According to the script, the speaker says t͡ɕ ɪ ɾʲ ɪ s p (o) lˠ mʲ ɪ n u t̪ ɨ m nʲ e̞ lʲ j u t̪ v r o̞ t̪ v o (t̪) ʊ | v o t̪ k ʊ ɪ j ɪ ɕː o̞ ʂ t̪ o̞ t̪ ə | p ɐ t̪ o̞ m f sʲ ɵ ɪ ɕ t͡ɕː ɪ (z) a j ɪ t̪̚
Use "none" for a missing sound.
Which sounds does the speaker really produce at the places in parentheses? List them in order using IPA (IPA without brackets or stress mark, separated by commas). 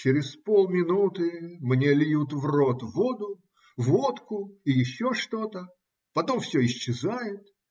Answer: o, d̪, z